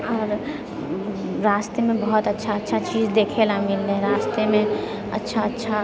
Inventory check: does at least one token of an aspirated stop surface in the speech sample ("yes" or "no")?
yes